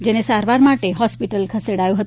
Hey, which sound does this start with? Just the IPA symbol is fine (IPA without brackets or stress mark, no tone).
d͡ʒ